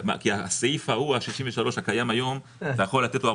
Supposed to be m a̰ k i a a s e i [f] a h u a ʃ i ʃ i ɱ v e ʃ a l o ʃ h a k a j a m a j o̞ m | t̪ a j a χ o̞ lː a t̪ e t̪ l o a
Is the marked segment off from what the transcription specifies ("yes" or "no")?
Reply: no